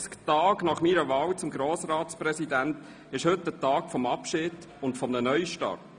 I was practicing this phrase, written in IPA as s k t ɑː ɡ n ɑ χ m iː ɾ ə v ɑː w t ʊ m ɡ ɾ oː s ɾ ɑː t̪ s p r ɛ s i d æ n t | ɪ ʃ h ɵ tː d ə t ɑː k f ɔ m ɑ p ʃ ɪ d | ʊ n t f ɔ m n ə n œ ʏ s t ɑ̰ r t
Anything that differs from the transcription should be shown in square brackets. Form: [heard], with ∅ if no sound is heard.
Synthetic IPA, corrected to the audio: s k t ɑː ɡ n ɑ χ m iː ɾ ə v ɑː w [t͡s] ʊ m ɡ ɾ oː s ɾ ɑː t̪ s p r ɛ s i d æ n t | ɪ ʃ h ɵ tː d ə t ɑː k f ɔ m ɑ p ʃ ɪ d | ʊ n t f ɔ m n ə n œ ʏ [ʃ] t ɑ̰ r t